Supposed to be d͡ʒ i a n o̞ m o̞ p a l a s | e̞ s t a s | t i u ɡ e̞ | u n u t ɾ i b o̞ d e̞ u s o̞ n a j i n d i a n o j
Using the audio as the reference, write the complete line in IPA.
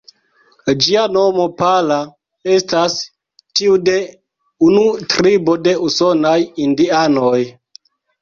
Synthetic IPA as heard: d͡ʒ i a n o̞ m o̞ p a l a | e̞ s t a s | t i u d e̞ | u n u t ɾ i b o̞ d e̞ u s o̞ n a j i n d i a n o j